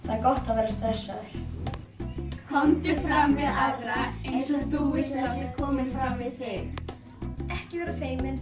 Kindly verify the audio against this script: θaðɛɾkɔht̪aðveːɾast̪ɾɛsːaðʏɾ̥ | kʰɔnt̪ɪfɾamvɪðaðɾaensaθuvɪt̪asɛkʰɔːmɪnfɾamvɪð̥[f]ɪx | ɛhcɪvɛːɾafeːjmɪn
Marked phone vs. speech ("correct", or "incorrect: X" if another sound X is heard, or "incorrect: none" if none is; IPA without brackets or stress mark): incorrect: θ